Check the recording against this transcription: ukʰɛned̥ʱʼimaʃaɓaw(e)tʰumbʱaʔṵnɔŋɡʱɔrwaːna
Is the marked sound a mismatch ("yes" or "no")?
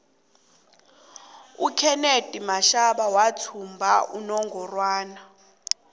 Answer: yes